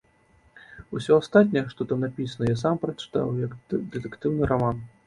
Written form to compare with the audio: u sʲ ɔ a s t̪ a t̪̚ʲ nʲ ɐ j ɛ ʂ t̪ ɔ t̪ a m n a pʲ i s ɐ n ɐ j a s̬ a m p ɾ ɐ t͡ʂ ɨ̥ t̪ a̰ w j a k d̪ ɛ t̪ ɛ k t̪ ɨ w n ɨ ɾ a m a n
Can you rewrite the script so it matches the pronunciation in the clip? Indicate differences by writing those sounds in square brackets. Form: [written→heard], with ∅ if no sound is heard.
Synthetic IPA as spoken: u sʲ ɔ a s t̪ a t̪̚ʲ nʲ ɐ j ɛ ʂ t̪ ɔ t̪ a m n a pʲ i s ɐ n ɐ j a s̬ a m p ɾ ɐ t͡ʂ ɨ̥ t̪ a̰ w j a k d̪ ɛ t̪ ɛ k t̪ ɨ w n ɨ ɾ a m a n